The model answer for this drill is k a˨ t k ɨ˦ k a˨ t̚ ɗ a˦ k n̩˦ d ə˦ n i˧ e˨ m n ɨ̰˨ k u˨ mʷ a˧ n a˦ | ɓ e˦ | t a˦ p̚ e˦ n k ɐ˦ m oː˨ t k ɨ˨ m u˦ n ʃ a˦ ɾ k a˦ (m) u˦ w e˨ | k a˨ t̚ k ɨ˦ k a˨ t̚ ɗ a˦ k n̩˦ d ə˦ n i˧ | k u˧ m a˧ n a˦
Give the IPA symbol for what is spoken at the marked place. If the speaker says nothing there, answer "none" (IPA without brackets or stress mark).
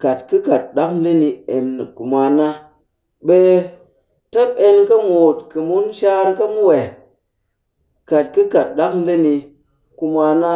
m